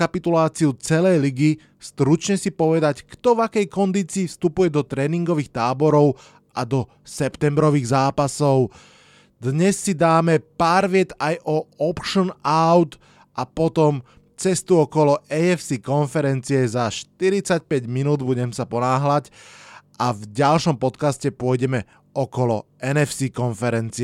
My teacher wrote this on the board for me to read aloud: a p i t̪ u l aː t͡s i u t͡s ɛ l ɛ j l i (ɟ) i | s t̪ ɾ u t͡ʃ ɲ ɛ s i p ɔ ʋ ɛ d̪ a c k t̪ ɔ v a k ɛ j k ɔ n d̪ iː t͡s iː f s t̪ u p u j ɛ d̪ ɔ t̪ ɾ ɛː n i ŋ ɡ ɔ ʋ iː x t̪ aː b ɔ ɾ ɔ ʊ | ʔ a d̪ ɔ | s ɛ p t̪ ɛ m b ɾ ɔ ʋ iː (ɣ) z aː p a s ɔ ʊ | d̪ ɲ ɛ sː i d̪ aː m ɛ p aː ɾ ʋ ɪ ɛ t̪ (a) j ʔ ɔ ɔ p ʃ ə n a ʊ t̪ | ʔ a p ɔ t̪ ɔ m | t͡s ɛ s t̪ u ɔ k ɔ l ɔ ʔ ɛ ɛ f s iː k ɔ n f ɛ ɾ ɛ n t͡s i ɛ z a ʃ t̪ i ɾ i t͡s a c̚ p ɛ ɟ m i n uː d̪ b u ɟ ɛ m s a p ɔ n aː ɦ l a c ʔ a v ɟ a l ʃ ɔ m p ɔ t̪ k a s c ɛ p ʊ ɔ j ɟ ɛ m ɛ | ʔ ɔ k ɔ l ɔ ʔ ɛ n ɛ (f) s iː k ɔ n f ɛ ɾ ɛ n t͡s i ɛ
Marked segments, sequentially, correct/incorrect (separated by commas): incorrect, correct, correct, correct